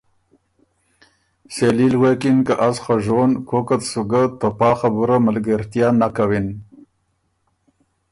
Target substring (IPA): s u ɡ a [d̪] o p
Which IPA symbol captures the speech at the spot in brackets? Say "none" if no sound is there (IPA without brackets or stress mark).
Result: t̪